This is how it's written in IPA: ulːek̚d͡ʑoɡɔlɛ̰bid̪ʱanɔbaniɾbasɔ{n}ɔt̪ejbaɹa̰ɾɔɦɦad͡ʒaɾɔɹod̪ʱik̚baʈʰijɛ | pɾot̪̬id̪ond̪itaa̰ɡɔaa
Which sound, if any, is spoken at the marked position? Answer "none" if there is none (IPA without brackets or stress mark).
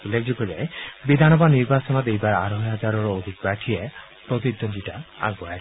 n